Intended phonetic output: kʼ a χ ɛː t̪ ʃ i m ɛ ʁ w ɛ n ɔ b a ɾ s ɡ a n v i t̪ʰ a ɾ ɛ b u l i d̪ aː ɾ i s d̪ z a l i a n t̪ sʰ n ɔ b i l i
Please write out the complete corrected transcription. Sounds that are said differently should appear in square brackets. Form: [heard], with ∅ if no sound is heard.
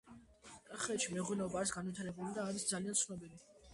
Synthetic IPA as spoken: kʼ a χ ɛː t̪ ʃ i m ɛ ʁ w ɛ n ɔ b a ɾ s ɡ a n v i t̪ʰ a ɾ ɛ b u l i d̪ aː ɾ i s d̪ z a l i a n t̪ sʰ n ɔ b i l i